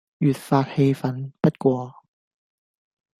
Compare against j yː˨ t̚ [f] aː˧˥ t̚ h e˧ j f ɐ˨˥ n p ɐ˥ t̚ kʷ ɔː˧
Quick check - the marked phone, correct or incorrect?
correct